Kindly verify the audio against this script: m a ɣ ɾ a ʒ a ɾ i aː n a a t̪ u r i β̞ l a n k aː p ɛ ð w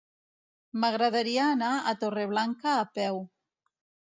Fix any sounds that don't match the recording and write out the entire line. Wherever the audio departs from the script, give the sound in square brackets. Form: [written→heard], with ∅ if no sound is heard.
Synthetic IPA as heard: m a ɣ ɾ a [ʒ→ð] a ɾ i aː n a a t̪ [u→o] r [i→e] β̞ l a [n→ŋ] k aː p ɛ [ð→∅] w